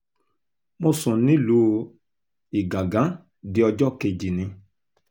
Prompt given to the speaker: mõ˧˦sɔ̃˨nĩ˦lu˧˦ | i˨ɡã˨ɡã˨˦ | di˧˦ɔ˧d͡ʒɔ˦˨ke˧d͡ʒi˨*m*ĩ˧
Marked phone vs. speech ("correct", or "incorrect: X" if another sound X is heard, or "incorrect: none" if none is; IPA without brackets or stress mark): incorrect: n